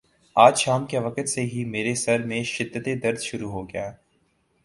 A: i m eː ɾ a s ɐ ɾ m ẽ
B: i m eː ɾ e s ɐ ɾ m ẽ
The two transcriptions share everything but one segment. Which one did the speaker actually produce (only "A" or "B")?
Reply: B